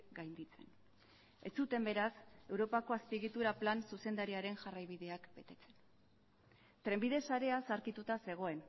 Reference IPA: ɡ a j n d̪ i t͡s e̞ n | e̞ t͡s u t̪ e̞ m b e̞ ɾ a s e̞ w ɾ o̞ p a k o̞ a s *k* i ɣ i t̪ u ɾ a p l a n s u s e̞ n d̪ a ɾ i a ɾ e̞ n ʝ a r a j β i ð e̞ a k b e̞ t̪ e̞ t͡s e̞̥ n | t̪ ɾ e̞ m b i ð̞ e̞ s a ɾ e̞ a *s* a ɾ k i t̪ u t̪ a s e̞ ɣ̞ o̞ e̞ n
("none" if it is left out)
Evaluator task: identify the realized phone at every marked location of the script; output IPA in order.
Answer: p, s

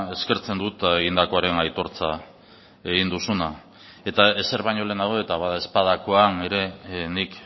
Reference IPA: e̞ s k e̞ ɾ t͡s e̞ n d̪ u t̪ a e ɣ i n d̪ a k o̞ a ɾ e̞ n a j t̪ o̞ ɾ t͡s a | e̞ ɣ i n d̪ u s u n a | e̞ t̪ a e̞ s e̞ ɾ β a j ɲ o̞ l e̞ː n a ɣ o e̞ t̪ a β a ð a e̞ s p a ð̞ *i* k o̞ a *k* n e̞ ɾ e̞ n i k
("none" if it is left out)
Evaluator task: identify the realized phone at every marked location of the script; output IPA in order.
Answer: a, none

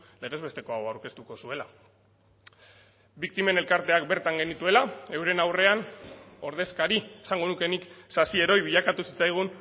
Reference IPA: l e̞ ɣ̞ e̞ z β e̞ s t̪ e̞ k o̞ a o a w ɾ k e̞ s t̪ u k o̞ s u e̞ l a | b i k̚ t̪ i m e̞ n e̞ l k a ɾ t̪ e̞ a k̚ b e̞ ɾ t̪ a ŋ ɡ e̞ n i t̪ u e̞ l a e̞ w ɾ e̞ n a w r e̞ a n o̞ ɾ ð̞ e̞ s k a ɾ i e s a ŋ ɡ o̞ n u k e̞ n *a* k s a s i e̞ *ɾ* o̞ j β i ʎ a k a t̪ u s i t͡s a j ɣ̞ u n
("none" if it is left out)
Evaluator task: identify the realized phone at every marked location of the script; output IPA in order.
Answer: i, ɾ

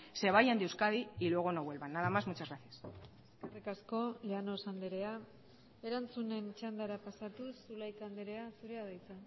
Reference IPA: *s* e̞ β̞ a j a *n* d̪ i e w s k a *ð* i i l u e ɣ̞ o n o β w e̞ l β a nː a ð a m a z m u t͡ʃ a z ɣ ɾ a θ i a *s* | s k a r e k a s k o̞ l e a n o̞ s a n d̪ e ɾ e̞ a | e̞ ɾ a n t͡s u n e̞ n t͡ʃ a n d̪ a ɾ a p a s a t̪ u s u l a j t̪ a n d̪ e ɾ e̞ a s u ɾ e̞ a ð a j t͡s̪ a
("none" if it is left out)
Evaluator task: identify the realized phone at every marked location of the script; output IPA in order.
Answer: s, n, ð, s

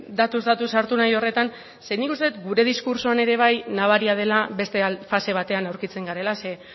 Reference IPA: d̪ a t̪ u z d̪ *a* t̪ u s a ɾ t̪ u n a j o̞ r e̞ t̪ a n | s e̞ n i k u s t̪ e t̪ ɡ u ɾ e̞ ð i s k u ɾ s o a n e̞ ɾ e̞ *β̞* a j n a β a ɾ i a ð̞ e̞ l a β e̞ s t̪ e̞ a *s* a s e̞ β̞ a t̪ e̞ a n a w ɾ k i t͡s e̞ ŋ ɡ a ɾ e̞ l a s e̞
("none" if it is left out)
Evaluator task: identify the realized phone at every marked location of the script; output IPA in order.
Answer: a, β̞, f

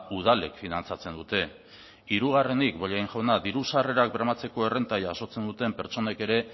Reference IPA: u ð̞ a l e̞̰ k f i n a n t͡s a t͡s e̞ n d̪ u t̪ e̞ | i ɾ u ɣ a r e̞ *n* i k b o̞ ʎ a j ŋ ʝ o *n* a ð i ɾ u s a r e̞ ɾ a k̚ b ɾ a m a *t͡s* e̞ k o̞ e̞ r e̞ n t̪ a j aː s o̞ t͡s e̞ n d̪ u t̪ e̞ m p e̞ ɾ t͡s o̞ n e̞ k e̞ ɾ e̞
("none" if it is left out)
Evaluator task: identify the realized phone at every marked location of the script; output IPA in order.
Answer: n, n, t͡s

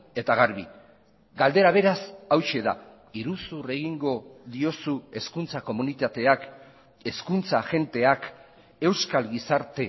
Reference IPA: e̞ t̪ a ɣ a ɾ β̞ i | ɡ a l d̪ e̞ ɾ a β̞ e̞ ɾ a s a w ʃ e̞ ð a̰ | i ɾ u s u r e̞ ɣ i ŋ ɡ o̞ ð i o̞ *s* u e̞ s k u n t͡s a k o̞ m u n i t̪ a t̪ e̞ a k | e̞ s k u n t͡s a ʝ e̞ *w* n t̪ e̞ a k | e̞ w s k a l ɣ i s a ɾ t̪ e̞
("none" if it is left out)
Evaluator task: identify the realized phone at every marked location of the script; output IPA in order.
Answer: s, none

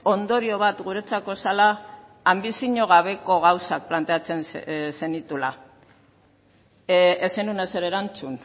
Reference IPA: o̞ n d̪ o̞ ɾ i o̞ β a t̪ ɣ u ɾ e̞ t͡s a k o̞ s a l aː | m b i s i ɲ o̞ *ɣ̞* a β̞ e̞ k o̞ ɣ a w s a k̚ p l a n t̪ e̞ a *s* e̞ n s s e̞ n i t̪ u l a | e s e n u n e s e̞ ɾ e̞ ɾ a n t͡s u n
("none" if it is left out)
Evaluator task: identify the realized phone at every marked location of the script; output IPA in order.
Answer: ɣ̞, t͡s

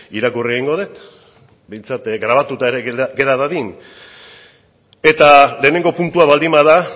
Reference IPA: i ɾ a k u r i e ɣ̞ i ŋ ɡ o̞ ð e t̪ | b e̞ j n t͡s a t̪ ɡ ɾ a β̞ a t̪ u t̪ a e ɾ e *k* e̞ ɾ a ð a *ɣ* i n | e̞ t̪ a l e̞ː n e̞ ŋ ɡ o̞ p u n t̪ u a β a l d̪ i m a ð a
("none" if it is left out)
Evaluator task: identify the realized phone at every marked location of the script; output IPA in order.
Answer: ɡ, ð

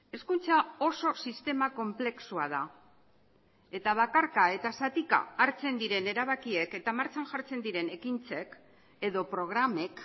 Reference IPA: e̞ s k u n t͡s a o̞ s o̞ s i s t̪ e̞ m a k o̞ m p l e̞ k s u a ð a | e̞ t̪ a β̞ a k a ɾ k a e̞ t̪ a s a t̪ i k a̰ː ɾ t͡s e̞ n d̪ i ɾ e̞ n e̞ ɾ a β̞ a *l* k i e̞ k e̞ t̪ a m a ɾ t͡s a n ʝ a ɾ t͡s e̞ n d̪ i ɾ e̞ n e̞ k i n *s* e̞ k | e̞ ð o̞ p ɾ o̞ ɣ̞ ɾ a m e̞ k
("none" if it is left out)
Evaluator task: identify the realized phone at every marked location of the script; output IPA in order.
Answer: none, t͡s

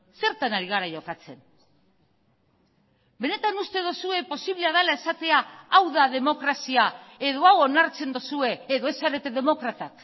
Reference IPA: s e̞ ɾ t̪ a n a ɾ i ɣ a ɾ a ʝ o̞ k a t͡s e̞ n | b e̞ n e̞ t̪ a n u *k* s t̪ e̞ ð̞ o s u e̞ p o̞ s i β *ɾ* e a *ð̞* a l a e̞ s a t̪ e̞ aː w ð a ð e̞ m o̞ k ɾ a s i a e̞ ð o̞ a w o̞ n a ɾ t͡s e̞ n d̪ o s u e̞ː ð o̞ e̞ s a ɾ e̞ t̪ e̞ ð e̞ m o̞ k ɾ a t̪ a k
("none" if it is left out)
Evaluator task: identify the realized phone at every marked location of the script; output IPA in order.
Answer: none, l, ð̞

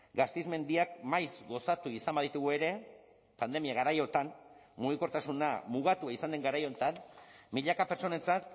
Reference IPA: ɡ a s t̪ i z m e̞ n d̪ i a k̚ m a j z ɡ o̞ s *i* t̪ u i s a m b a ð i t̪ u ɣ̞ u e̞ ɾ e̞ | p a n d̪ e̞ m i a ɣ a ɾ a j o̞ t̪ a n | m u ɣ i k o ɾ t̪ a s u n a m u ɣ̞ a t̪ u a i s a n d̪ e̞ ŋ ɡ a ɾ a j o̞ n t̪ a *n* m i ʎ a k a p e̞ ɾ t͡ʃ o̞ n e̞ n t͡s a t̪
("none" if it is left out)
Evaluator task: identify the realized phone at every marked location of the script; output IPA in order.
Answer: a, n

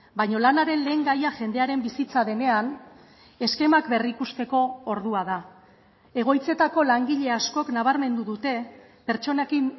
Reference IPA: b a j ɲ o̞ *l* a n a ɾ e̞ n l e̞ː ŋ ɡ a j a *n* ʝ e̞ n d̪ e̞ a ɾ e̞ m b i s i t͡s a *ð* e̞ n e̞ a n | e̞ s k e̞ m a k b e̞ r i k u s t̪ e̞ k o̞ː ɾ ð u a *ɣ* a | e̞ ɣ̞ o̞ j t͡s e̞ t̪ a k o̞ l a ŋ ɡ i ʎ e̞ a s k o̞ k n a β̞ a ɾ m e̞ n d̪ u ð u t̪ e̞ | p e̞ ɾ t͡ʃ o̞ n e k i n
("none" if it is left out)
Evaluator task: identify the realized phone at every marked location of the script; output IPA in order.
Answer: l, none, ð, ð

